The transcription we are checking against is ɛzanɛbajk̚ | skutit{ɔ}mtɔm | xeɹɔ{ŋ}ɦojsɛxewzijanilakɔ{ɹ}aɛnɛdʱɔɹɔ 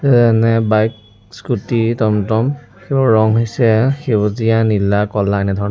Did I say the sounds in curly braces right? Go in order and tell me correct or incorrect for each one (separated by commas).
correct, correct, incorrect